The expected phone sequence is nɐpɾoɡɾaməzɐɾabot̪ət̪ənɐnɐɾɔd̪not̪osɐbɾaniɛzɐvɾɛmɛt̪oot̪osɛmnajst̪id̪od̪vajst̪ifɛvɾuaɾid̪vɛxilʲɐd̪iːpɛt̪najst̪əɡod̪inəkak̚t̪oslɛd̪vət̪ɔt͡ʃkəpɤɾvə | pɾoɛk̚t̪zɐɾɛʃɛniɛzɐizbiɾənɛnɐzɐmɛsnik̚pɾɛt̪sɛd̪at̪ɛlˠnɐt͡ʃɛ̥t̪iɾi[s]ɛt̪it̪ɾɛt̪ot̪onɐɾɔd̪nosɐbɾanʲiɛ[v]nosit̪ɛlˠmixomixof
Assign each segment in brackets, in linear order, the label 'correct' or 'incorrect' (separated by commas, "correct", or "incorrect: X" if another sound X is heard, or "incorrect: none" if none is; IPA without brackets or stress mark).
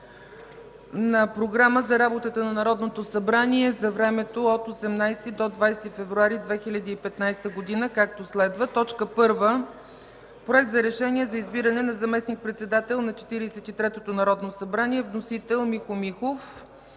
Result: correct, correct